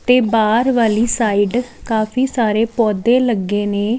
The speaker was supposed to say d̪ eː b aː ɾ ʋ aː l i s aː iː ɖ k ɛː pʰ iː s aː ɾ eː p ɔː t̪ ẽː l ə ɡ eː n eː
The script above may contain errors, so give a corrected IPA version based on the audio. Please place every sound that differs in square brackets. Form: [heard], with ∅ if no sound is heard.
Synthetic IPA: [t̪] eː b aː ɾ ʋ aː l [iː] s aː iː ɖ k [aː] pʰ iː s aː ɾ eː p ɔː [d̪] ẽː l ə ɡ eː n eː